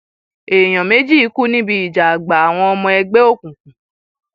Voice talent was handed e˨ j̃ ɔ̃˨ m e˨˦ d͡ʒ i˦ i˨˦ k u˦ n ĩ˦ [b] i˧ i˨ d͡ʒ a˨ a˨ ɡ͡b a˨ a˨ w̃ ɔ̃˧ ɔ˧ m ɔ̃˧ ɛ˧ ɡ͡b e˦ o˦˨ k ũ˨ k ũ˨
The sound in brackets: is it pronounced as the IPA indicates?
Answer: yes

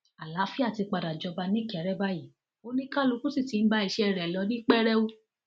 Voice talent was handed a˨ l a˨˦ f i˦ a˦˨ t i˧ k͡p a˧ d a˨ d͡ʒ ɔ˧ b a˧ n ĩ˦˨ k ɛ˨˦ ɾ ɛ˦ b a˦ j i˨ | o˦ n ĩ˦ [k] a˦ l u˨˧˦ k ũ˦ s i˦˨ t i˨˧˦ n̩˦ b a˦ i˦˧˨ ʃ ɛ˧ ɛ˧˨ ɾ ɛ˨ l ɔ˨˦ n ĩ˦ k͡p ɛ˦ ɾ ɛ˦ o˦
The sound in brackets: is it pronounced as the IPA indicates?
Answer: yes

